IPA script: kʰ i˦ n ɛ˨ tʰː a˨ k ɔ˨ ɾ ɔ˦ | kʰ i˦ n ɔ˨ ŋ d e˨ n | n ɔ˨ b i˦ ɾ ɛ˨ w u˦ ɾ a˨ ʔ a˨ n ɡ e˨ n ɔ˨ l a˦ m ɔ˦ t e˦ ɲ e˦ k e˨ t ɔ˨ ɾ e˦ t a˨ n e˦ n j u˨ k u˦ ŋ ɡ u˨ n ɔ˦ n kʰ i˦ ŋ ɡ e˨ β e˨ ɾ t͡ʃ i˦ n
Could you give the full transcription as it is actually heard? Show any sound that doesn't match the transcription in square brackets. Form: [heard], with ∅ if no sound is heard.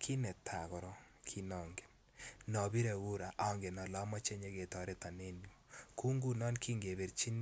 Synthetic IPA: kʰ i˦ n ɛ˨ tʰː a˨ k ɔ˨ ɾ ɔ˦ | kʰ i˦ n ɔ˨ ŋ [ɡ] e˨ n | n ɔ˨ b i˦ ɾ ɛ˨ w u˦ ɾ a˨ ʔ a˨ [ŋ] ɡ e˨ n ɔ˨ l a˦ m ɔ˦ [t͡ʃ] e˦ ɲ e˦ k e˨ t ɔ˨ ɾ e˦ t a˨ n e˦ n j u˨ k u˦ ŋ ɡ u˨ n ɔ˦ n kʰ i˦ ŋ ɡ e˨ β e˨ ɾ t͡ʃ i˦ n